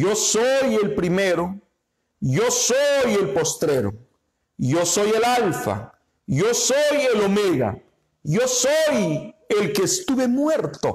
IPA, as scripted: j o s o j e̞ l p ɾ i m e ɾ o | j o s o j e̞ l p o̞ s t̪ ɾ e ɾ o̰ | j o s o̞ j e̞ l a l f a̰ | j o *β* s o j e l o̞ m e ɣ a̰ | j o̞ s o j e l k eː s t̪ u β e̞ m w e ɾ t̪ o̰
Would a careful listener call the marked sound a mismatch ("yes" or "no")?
yes